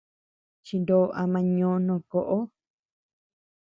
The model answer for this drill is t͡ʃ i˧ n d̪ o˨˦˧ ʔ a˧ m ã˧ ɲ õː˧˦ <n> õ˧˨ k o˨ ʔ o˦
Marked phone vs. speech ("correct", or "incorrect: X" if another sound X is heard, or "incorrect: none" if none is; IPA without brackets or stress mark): correct